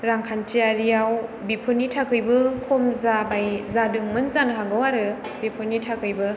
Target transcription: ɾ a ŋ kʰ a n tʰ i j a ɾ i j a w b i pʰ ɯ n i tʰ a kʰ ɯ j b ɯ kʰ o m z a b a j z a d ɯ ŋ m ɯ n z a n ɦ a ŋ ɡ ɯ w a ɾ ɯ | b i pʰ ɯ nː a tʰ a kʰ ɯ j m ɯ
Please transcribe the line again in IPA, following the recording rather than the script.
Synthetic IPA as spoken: ɾ a ŋ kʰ a n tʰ i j a ɾ i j a w b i pʰ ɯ n i tʰ a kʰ ɯ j b ɯ kʰ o m z a b a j z a d ɯ ŋ m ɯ n z a n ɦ a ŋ ɡ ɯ w a ɾ ɯ | b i pʰ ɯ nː i tʰ a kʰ ɯ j b ɯ